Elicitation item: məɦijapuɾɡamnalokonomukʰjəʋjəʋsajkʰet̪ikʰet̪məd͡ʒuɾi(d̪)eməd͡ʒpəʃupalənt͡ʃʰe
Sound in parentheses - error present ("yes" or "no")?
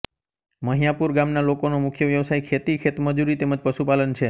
yes